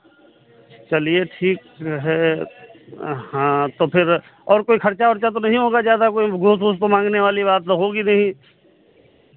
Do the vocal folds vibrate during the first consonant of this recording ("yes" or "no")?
no